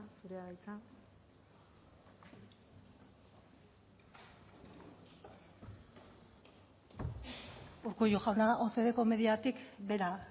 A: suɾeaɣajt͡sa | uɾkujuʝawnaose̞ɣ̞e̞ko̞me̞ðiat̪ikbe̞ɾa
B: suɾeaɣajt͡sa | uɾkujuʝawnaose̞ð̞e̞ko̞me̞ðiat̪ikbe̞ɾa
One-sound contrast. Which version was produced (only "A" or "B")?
B